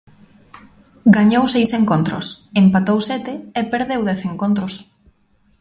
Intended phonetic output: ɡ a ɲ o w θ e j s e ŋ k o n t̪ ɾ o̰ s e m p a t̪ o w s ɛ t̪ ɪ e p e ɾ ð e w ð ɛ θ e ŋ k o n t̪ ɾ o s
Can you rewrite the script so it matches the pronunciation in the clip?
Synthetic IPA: ɡ a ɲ o w s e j s e ŋ k o n t̪ ɾ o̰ s e m p a t̪ o w s ɛ t̪ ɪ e p e ɾ ð e w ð ɛ θ e ŋ k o n t̪ ɾ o s